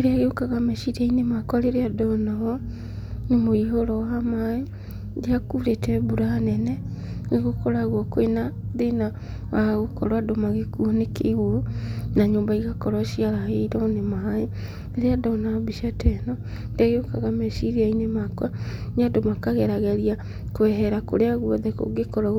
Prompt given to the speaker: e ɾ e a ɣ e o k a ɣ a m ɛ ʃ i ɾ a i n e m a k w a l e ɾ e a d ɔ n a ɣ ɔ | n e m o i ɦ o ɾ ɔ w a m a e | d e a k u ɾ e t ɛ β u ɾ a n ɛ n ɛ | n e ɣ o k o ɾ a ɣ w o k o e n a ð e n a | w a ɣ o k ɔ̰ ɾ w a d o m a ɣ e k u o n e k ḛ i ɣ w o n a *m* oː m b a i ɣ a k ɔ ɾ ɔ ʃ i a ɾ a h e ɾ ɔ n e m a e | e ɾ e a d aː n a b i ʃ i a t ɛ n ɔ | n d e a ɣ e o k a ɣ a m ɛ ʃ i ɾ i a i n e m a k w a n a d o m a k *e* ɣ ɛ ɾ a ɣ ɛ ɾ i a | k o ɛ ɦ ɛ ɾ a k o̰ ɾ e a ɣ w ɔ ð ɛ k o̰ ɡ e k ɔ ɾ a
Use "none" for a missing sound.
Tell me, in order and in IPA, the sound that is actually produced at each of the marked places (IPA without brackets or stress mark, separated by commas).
ɲ, a